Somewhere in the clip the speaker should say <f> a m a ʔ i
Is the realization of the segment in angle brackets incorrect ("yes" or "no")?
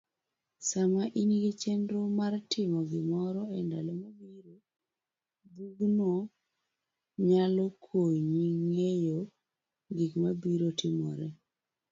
yes